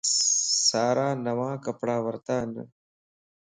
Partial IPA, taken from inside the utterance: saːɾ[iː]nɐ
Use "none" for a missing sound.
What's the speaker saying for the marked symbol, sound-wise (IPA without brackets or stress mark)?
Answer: aː